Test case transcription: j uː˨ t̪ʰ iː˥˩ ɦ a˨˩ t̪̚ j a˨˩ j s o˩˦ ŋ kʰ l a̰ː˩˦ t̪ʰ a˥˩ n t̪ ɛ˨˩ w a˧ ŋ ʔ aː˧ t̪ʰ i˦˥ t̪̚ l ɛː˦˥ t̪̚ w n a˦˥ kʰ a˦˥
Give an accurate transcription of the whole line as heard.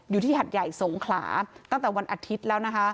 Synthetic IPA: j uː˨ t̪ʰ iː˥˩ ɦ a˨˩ t̪̚ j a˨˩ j s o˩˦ ŋ kʰ l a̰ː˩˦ t̪ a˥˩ ŋ t̪ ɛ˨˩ w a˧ n ʔ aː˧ t̪ʰ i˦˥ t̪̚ l ɛː˦˥ w n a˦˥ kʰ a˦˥